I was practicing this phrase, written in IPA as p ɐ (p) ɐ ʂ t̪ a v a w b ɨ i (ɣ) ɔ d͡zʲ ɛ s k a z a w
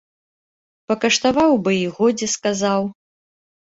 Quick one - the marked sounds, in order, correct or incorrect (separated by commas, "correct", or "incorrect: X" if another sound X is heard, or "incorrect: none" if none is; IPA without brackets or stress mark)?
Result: incorrect: k, correct